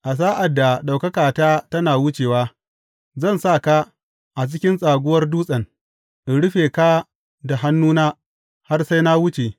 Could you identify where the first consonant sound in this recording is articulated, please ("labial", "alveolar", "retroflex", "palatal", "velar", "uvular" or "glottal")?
glottal